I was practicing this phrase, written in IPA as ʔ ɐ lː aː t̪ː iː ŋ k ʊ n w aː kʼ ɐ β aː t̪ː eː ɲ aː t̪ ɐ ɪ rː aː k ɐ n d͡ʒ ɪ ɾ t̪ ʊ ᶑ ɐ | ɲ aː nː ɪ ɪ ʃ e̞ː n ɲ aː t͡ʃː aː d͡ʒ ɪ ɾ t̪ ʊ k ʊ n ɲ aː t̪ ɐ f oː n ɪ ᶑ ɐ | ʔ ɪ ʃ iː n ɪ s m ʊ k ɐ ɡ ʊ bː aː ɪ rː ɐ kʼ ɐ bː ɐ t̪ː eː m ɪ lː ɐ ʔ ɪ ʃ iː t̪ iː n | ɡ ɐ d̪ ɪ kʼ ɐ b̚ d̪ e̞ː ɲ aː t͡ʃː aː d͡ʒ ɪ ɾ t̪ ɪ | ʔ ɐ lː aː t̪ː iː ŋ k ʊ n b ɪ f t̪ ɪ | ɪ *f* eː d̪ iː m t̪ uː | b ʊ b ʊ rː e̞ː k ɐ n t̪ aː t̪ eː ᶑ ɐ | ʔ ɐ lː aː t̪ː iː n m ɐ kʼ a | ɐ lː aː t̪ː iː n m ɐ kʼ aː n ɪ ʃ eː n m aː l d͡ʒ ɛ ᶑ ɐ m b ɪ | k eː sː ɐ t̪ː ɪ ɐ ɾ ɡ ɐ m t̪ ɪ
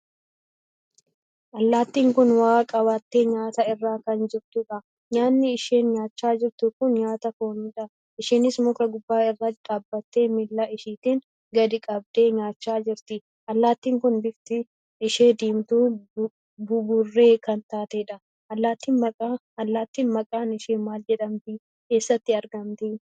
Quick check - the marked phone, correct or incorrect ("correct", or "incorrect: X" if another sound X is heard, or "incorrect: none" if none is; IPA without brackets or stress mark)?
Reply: incorrect: ʃ